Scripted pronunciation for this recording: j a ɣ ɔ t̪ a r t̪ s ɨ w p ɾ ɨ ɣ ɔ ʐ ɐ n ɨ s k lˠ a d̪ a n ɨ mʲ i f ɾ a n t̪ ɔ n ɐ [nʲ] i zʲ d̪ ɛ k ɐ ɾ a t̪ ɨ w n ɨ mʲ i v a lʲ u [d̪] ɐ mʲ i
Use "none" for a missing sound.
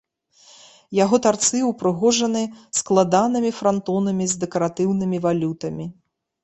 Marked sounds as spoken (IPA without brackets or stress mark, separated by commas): mʲ, t̪